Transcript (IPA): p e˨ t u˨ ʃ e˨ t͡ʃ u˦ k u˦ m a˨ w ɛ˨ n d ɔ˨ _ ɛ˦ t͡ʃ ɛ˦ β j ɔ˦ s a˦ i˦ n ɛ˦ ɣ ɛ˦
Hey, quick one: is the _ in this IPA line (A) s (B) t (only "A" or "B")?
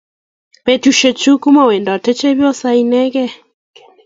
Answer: B